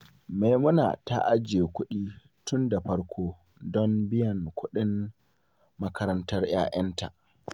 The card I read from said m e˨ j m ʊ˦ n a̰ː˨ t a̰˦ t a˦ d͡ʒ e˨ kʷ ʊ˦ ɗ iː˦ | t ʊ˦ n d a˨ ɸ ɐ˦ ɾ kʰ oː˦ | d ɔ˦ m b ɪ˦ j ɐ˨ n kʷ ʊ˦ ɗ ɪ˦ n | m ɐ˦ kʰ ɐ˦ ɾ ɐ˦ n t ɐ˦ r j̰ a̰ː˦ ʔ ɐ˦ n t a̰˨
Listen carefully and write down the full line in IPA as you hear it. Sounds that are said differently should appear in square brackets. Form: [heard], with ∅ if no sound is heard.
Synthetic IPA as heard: m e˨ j m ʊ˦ n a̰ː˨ t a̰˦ [ʔ] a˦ d͡ʒ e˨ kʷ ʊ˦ ɗ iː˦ | t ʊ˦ n d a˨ ɸ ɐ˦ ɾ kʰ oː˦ | d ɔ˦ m b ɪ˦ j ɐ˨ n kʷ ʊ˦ ɗ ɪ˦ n | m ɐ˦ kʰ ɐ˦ ɾ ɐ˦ n t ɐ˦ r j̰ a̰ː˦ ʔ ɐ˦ n t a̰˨